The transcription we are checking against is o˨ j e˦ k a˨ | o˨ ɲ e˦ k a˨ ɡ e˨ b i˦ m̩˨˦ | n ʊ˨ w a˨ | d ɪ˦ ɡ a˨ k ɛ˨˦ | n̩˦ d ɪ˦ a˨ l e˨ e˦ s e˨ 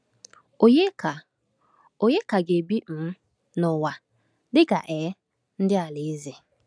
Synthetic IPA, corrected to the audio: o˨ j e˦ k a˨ | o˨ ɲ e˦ k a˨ ɡ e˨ b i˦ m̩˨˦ | n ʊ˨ w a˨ | d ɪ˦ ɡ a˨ ʔ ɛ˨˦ | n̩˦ d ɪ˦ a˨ l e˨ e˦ z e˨